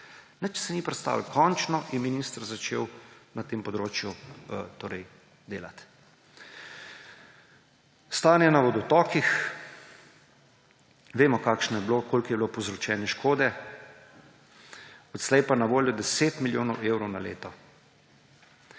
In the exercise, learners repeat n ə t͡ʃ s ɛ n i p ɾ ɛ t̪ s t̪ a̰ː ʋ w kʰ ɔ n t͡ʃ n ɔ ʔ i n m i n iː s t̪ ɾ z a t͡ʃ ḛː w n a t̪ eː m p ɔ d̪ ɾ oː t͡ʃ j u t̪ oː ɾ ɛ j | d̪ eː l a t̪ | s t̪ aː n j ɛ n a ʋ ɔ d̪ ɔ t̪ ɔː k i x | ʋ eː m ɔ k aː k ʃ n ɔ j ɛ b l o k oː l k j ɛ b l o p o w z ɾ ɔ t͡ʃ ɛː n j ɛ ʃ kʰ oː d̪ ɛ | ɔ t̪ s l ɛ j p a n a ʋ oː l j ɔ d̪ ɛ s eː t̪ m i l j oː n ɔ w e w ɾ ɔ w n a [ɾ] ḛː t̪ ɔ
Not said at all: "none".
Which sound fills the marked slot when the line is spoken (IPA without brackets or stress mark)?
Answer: l